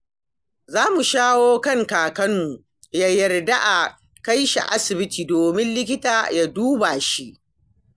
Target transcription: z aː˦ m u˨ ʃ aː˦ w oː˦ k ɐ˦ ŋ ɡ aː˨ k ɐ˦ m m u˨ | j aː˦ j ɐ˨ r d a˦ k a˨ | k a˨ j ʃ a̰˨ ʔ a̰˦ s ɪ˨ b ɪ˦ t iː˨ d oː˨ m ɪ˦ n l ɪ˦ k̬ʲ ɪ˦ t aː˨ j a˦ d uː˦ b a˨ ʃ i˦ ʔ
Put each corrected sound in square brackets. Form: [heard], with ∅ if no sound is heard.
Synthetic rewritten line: z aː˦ m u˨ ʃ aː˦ w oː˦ k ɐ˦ ŋ [k] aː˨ k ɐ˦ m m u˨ | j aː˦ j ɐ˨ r d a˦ [ʔ] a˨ | k [a˦] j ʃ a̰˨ ʔ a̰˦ s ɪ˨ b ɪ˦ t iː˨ d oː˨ m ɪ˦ n l ɪ˦ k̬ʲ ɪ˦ t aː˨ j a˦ d uː˦ b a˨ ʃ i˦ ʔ